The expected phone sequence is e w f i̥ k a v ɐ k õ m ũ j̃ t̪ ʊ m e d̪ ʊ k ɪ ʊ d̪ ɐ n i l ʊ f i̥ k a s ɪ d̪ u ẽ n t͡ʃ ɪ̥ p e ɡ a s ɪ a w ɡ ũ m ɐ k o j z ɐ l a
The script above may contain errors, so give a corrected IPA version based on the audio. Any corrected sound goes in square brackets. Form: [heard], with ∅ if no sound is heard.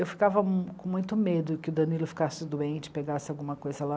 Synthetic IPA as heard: e w f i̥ k a v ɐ k õ m ũ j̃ t̪ ʊ m e d̪ ʊ k ɪ ʊ d̪ ɐ n i l ʊ f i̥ k a s ɪ d̪ u ẽ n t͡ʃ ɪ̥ p e ɡ a s ɪ a w ɡ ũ m ɐ k o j z ɐ l a